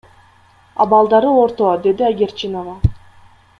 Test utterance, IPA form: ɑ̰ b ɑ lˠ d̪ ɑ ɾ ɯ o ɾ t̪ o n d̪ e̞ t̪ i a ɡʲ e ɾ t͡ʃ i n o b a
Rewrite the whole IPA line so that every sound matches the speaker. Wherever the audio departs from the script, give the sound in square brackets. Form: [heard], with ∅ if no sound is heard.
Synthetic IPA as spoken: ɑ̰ b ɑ lˠ d̪ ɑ ɾ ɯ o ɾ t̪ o [∅] d̪ e̞ [d̪] i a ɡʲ e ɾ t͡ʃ i n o [v] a